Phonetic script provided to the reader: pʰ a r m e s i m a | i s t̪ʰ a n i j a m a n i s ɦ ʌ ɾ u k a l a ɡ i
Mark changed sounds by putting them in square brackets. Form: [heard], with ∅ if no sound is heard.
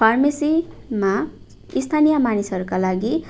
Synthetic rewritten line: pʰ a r m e s i m a | i s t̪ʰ a n i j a m a n i s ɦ ʌ ɾ u k a l a ɡ i